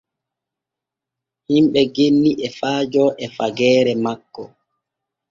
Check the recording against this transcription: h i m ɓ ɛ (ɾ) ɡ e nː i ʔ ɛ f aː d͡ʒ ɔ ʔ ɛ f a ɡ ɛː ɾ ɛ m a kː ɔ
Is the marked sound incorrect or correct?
incorrect: none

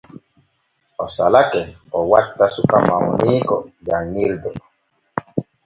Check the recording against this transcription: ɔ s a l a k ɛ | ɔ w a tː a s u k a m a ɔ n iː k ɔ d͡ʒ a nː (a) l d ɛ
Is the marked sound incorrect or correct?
incorrect: i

